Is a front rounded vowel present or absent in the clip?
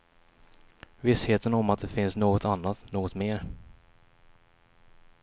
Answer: absent